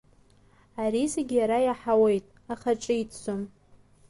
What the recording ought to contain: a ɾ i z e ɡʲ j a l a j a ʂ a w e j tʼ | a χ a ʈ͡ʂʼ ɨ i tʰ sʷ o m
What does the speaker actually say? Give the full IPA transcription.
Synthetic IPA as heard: a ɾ i z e ɡʲ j a ɾ a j a ħ a w e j tʼ | a χ a ʈ͡ʂʼ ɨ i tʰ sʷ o m